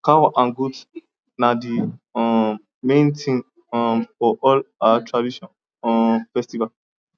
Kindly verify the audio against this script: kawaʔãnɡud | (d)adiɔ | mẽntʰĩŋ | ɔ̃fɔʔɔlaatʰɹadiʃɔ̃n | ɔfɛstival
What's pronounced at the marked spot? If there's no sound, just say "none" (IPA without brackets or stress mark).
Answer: n